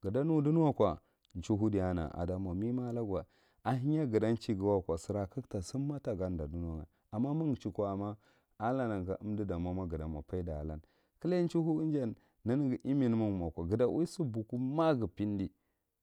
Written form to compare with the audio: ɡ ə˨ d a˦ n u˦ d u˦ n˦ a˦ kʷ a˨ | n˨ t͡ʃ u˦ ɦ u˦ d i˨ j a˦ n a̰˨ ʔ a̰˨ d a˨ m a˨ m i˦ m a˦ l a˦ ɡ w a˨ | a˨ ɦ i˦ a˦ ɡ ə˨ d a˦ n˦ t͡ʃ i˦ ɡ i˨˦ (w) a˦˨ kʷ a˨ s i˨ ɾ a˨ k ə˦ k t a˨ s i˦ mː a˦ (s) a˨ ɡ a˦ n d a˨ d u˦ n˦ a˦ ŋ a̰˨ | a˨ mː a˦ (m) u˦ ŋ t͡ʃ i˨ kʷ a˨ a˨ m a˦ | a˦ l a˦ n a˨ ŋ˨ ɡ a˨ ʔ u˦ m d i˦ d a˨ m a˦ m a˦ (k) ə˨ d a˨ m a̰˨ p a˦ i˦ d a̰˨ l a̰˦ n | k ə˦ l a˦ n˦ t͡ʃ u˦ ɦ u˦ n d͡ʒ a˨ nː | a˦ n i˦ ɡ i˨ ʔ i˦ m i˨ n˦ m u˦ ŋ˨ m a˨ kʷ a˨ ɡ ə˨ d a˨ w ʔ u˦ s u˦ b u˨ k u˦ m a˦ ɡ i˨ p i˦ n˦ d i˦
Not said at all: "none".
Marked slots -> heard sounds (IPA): w, t, m, ɡ

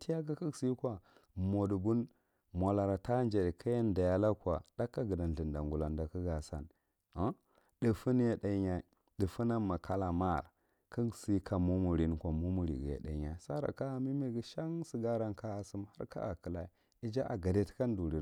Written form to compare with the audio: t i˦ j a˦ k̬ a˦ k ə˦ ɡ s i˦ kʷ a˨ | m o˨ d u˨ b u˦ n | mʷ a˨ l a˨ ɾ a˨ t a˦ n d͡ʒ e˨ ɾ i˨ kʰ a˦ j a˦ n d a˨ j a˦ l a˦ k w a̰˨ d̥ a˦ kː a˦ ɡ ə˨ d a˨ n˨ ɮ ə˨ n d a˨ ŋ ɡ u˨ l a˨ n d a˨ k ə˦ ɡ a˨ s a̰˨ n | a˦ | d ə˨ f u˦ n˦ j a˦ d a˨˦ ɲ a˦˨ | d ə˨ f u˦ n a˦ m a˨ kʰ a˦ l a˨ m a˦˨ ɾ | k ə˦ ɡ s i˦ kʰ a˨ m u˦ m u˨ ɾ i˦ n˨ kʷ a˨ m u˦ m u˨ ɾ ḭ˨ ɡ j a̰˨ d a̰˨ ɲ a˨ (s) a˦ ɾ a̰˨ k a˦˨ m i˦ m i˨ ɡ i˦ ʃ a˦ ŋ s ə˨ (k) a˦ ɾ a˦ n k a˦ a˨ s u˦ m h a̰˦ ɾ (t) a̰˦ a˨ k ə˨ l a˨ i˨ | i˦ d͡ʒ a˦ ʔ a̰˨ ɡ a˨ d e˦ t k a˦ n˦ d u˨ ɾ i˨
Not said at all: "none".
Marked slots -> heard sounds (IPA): s, ɡ, k

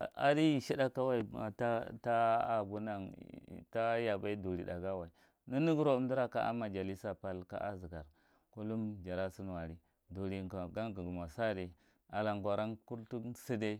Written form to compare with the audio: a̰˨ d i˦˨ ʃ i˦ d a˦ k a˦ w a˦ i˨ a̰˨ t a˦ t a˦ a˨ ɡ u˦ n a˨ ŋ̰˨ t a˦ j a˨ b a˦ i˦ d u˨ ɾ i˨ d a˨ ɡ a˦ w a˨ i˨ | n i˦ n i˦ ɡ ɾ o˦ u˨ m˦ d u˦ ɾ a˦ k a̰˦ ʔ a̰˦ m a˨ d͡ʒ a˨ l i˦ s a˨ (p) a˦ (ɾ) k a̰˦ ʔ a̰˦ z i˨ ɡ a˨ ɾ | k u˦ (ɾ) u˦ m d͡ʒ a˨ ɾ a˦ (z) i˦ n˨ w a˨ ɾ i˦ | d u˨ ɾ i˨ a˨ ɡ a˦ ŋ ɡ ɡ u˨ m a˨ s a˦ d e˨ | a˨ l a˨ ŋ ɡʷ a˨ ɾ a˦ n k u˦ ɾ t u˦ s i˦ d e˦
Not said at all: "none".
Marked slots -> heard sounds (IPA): p, l, l, s

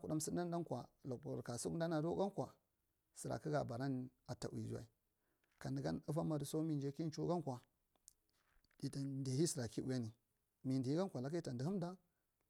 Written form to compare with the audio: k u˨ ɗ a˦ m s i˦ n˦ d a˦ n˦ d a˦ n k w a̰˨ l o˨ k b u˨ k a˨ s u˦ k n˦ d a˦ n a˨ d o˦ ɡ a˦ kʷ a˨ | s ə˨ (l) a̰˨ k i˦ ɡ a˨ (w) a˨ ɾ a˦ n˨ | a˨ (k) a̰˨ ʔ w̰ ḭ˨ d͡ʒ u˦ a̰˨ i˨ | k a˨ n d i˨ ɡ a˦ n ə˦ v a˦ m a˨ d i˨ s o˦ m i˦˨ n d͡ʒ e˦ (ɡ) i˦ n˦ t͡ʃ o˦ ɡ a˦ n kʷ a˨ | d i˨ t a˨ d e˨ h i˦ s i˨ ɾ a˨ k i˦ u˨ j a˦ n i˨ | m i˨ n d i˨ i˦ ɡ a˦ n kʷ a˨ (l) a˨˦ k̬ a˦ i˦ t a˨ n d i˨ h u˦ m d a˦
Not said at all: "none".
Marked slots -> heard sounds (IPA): ɾ, b, t, k, l

